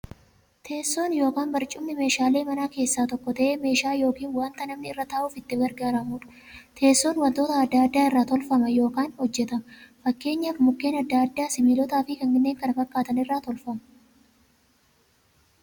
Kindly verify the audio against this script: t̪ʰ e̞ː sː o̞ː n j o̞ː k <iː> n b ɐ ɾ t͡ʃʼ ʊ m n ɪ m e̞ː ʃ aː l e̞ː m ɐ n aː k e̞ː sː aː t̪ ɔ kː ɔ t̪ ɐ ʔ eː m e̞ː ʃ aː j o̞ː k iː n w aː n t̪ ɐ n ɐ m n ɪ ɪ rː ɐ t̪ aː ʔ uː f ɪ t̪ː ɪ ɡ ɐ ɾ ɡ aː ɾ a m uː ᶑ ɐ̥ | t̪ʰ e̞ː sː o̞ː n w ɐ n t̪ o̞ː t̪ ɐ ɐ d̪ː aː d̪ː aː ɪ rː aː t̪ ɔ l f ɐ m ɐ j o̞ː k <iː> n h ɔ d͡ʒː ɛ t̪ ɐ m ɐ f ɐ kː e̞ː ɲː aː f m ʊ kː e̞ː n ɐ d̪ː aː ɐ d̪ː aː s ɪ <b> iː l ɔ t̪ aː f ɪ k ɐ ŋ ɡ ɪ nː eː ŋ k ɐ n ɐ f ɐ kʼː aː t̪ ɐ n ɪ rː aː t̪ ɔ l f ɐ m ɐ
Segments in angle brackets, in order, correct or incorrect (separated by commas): incorrect, incorrect, incorrect